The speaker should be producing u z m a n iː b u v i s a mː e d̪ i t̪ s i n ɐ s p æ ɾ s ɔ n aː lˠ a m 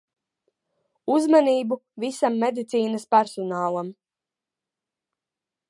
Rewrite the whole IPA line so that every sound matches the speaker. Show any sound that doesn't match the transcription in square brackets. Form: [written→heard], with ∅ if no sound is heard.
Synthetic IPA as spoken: u z m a n iː b u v i s a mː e d̪ i t̪ s [i→iː] n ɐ s p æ ɾ s ɔ n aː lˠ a m